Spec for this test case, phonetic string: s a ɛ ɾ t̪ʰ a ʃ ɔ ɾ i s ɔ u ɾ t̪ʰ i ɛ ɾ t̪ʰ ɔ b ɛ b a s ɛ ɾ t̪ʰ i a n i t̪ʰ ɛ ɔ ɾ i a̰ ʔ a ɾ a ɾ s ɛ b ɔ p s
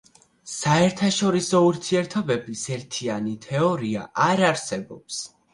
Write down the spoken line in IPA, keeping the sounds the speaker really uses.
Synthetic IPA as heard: s a ɛ ɾ t̪ʰ a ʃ ɔ ɾ i s ɔ u ɾ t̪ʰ i ɛ ɾ t̪ʰ ɔ b ɛ b i s ɛ ɾ t̪ʰ i a n i t̪ʰ ɛ ɔ ɾ i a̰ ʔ a ɾ a ɾ s ɛ b ɔ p s